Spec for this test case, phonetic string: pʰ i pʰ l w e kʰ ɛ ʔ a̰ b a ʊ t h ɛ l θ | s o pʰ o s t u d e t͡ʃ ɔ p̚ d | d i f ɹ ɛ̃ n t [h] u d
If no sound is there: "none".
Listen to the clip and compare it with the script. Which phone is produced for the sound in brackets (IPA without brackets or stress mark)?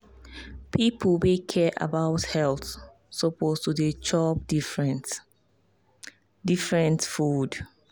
f